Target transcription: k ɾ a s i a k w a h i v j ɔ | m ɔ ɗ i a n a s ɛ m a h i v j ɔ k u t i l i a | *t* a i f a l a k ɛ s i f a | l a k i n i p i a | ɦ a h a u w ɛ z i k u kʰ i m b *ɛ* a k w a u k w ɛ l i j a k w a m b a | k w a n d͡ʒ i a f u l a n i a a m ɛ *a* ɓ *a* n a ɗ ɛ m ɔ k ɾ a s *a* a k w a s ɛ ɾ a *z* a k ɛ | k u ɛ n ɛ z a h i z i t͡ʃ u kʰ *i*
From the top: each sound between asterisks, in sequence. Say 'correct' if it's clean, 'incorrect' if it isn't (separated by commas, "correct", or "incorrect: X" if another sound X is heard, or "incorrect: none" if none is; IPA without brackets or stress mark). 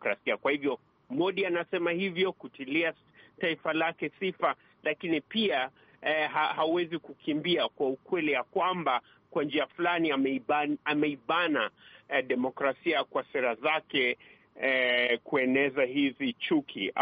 correct, incorrect: i, incorrect: i, correct, incorrect: i, correct, correct